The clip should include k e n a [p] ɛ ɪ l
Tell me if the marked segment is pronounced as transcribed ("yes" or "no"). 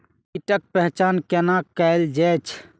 no